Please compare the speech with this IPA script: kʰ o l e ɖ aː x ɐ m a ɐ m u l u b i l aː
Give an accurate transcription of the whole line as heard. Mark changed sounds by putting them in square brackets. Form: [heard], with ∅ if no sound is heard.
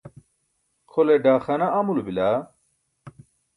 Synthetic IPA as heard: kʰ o l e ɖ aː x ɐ [n] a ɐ m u l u b i l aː